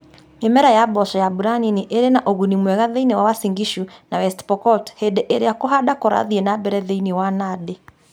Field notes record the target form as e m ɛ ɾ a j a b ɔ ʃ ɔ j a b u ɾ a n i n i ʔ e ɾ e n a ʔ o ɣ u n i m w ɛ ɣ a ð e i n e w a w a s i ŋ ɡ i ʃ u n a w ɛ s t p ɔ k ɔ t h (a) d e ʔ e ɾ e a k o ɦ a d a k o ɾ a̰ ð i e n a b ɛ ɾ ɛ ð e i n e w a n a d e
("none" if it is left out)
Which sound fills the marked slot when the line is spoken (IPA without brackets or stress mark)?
e